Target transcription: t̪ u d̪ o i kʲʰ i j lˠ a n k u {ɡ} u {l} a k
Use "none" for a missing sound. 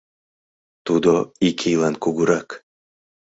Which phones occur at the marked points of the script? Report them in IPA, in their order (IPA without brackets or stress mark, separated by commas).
ɡ, ɾ